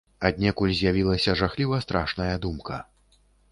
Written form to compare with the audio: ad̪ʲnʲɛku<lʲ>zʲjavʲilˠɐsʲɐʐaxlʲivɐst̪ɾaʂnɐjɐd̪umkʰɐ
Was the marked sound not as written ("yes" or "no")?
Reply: no